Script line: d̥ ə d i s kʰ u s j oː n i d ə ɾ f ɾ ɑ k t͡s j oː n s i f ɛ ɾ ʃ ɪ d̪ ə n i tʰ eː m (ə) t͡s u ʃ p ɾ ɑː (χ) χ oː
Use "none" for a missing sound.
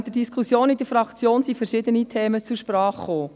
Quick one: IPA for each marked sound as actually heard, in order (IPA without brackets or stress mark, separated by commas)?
ə, χ